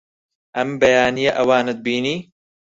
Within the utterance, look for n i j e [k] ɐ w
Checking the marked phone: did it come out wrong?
yes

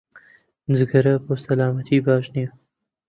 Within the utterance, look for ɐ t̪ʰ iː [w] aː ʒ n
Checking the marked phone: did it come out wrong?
yes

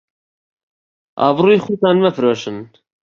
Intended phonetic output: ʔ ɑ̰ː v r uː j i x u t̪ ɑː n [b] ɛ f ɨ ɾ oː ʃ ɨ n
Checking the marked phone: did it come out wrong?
yes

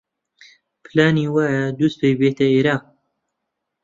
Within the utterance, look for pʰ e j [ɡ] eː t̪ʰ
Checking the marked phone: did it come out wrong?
yes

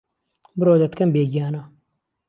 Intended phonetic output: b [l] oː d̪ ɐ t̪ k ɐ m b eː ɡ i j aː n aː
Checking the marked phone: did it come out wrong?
yes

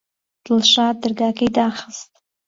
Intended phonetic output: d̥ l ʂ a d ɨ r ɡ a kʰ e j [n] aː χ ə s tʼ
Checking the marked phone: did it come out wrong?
yes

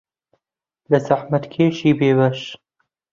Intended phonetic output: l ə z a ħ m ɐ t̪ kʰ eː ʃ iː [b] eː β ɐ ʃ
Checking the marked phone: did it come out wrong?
no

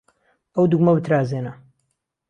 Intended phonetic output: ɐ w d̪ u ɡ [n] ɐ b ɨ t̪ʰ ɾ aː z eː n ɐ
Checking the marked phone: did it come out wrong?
yes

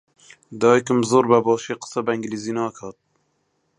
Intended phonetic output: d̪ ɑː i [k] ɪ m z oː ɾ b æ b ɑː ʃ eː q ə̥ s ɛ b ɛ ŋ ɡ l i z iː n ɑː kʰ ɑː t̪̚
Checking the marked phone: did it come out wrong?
no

